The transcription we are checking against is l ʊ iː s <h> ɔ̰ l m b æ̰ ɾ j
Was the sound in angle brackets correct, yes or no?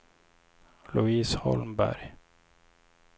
yes